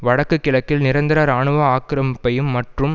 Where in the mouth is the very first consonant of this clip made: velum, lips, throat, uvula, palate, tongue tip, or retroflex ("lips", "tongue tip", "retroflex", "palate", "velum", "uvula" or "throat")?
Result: lips